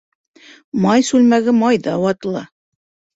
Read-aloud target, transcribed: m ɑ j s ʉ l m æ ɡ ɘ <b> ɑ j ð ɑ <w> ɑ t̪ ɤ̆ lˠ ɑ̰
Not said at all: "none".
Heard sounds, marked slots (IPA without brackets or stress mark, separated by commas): m, w